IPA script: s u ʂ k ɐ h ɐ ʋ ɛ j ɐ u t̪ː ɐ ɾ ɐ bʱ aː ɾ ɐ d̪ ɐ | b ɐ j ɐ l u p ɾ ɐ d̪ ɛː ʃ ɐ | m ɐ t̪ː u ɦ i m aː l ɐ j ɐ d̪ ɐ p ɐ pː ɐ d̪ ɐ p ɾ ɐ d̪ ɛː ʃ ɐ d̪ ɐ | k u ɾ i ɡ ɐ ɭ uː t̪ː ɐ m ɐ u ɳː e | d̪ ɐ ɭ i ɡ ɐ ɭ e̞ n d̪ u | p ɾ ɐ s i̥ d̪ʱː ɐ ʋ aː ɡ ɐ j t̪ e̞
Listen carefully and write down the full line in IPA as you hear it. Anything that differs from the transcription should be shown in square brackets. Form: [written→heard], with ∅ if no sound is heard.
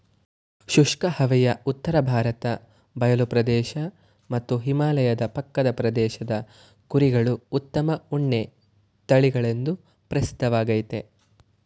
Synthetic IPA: [s→ʃ] u ʂ k ɐ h ɐ ʋ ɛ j ɐ u t̪ː ɐ ɾ ɐ bʱ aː ɾ ɐ [d̪→t̪] ɐ | b ɐ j ɐ l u p ɾ ɐ d̪ ɛː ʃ ɐ | m ɐ t̪ː u ɦ i m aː l ɐ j ɐ d̪ ɐ p ɐ [pː→kː] ɐ d̪ ɐ p ɾ ɐ d̪ ɛː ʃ ɐ d̪ ɐ | k u ɾ i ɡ ɐ ɭ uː t̪ː ɐ m ɐ u ɳː e | [d̪→t̪] ɐ ɭ i ɡ ɐ ɭ e̞ n d̪ u | p ɾ ɐ s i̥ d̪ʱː ɐ ʋ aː ɡ ɐ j t̪ e̞

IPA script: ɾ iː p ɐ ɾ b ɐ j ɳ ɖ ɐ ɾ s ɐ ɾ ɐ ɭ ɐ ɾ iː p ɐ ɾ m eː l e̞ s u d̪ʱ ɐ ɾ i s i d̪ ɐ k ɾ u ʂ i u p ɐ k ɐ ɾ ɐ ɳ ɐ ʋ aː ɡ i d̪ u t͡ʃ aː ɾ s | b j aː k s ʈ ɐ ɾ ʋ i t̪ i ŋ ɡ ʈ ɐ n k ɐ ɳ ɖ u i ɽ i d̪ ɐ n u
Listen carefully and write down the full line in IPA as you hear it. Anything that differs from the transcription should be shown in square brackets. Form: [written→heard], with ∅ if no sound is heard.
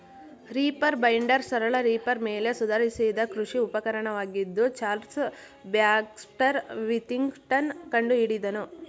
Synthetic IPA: ɾ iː p ɐ ɾ b ɐ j ɳ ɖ ɐ ɾ s ɐ ɾ ɐ ɭ ɐ ɾ iː p ɐ ɾ m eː l e̞ s u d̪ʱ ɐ ɾ i s i d̪ ɐ k ɾ u ʂ i u p ɐ k ɐ ɾ ɐ ɳ ɐ ʋ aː ɡ i [d̪→d̪ː] u t͡ʃ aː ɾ s | b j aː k s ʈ ɐ ɾ ʋ i t̪ i ŋ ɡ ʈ ɐ n k ɐ ɳ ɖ u i ɽ i d̪ ɐ n u

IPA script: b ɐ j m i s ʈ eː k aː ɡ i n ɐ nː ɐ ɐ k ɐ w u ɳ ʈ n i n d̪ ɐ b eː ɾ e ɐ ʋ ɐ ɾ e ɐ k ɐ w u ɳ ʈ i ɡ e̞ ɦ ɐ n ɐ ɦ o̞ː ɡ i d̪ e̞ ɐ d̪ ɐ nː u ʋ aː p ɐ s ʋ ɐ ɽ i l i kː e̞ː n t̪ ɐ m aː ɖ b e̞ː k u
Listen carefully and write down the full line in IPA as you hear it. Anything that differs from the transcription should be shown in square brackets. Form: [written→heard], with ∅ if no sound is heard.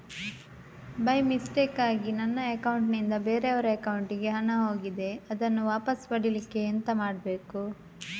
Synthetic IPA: b ɐ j m i s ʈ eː k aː ɡ i n ɐ nː ɐ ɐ k ɐ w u ɳ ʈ n i n d̪ ɐ b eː ɾ e ɐ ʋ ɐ ɾ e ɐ k ɐ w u ɳ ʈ i ɡ e̞ ɦ ɐ n ɐ ɦ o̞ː ɡ i d̪ e̞ ɐ d̪ ɐ nː u ʋ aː p ɐ s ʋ ɐ ɽ i l i kː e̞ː n t̪ ɐ m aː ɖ b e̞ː k u

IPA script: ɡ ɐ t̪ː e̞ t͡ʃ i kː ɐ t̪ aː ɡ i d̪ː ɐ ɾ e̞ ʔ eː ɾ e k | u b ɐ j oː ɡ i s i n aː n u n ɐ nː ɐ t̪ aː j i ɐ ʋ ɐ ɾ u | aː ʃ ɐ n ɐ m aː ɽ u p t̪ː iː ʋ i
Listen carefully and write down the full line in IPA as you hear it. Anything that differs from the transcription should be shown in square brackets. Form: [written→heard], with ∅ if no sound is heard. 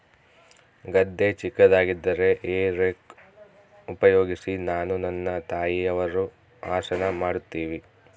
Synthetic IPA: ɡ ɐ [t̪ː→d̪ː] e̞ t͡ʃ i kː ɐ [t̪→d̪] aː ɡ i d̪ː ɐ ɾ e̞ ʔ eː ɾ e k | u [b→p] ɐ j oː ɡ i s i n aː n u n ɐ nː ɐ t̪ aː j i ɐ ʋ ɐ ɾ u | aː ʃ ɐ n ɐ m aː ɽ u [p→∅] t̪ː iː ʋ i

